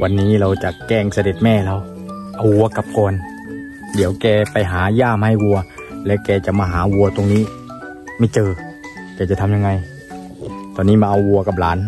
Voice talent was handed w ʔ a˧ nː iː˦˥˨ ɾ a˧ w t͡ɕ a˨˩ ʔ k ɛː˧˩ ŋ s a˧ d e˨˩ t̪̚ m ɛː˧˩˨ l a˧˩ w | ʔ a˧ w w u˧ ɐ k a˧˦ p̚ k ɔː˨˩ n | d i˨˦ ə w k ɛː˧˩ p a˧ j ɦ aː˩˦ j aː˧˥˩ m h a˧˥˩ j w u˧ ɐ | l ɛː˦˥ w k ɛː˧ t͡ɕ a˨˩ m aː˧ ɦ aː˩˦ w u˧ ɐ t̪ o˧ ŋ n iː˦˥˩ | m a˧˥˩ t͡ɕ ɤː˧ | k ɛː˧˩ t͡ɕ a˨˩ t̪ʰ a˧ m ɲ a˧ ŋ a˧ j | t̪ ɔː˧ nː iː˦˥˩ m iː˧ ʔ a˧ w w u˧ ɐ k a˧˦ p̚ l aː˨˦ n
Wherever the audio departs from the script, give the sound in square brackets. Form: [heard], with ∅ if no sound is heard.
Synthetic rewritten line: w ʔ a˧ nː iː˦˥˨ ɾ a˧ w t͡ɕ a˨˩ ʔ k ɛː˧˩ ŋ s a˧ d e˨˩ t̪̚ m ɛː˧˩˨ l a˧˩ w | ʔ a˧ w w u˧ ɐ k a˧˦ p̚ k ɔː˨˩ n | d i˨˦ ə w k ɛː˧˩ p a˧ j ɦ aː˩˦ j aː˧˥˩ m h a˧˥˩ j w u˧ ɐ | l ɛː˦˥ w k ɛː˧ t͡ɕ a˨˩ m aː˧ ɦ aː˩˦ w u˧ ɐ t̪ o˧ ŋ n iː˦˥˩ | m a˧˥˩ t͡ɕ ɤː˧ | k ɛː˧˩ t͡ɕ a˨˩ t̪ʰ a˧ m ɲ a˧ ŋ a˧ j | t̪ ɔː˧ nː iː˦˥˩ m [aː˧] ʔ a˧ w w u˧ ɐ k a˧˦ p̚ l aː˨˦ n